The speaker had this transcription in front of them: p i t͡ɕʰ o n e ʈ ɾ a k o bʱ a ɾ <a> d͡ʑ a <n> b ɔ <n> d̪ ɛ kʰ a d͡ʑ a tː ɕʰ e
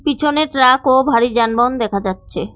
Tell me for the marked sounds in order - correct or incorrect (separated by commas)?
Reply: incorrect, correct, correct